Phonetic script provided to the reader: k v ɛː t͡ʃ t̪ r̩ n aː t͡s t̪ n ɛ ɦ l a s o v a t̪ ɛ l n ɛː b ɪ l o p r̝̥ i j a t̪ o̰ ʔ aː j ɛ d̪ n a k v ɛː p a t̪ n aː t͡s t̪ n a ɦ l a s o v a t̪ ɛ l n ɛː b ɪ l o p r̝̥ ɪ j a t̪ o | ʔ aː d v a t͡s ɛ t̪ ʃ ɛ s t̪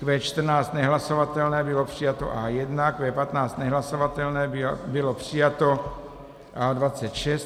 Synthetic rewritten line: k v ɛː t͡ʃ t̪ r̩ n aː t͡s t̪ n ɛ ɦ l a s o v a t̪ ɛ l n ɛː b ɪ l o p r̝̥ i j a t̪ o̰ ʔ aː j ɛ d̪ n a k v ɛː p a t̪ n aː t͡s t̪ n ɛ ɦ l a s o v a t̪ ɛ l n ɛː b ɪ l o p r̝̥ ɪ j a t̪ o | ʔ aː d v a t͡s ɛ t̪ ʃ ɛ s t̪